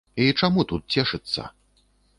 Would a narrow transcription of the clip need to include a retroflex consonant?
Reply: yes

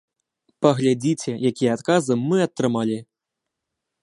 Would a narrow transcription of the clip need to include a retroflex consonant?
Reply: no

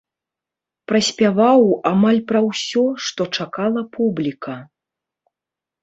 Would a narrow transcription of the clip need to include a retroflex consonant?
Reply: yes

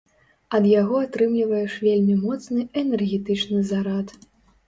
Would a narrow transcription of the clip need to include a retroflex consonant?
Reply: yes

